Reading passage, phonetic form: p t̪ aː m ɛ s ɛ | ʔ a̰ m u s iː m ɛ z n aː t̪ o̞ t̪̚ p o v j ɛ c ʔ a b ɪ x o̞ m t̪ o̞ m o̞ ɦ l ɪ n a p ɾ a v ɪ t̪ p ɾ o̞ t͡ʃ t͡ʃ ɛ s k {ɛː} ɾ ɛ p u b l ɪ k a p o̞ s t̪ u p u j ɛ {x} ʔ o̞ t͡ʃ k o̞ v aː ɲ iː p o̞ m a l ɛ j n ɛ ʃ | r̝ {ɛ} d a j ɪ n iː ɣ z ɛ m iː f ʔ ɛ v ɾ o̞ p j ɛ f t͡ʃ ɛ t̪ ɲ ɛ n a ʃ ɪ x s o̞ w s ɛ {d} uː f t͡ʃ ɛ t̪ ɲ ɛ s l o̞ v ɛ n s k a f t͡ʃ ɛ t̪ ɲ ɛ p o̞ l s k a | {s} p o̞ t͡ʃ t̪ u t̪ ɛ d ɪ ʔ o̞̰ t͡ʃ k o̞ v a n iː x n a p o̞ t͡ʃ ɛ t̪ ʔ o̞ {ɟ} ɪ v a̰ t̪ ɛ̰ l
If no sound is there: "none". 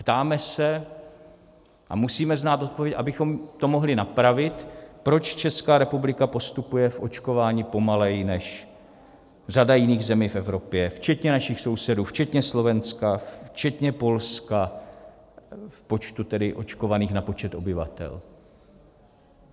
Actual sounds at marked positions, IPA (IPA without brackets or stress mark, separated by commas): aː, f, a, d, f, b